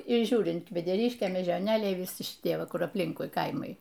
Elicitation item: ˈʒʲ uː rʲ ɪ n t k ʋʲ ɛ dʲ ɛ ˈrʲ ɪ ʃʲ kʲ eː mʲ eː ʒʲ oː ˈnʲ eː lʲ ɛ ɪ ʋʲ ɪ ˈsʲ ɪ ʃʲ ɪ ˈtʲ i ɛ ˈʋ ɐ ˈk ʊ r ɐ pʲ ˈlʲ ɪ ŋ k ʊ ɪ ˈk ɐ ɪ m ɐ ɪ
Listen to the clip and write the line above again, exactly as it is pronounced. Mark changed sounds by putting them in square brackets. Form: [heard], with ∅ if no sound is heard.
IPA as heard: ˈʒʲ uː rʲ ɪ n t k ʋʲ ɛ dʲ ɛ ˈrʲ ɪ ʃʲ kʲ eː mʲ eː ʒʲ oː ˈnʲ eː lʲ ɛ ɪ ʋʲ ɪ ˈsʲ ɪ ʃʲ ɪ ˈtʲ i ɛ ˈʋ ɐ ˈk ʊ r ɐ pʲ ˈlʲ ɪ ŋ k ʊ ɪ ˈk ɐ ɪ m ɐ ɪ